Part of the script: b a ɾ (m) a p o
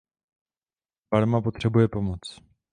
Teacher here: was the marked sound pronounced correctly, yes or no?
yes